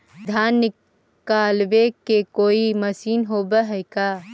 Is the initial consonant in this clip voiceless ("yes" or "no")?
no